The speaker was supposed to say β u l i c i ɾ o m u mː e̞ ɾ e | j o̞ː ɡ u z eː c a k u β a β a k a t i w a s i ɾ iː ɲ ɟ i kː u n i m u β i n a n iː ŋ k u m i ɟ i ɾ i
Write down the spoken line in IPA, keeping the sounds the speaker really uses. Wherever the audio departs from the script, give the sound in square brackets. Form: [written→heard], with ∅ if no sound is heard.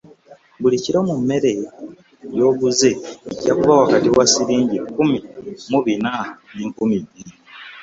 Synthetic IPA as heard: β u l i c i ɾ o m u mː e̞ ɾ e | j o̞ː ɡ u z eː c a k u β a [β→w] a k a t i w a s i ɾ iː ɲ ɟ i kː u [n→m] i m u β i n a n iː ŋ k u m i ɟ i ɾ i

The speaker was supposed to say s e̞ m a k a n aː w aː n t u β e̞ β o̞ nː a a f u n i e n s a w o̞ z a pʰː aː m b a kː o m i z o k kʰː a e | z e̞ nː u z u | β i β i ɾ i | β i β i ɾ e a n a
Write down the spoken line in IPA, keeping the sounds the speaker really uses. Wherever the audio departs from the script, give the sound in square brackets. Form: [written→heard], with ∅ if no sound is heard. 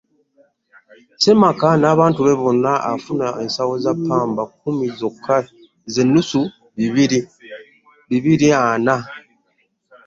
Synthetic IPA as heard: s e̞ m a k a n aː [w→β] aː n t u β e̞ β o̞ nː a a f u n [i→a] e n s a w o̞ z a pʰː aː m b a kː [o→u] m i z o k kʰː a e | z e̞ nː u [z→s] u | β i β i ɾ i | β i β i ɾ [e→i] a n a

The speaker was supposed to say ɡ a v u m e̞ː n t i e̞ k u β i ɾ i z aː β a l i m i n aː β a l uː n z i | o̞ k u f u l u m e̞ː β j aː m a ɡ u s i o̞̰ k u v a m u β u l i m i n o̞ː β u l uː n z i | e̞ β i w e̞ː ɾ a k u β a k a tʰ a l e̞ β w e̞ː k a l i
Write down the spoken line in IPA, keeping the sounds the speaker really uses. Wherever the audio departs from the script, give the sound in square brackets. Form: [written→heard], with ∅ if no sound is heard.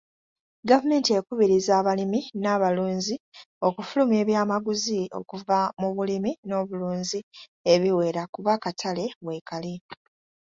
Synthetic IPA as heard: ɡ a v u m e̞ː n t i e̞ k u β i ɾ i z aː β a l i m i n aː β a l uː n z i | o̞ k u f u l u m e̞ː β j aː m a ɡ u [s→z] i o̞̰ k u v a m u β u l i m i n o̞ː β u l uː n z i | e̞ β i w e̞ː ɾ a k u β a k a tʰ a l e̞ β w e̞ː k a l i

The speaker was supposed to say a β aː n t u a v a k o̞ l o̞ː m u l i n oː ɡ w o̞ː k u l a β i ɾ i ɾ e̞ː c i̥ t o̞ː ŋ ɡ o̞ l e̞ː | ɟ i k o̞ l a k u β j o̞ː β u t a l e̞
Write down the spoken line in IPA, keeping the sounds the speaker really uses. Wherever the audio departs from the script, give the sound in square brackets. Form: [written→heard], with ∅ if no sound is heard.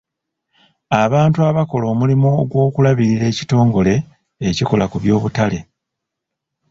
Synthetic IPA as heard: a β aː n t u a [v→β] a k o̞ l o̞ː m u l i [n→m] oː ɡ w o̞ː k u l a β i ɾ i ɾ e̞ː c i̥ t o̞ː ŋ ɡ o̞ l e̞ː | [ɟ→c] i k o̞ l a k u β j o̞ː β u t a l e̞

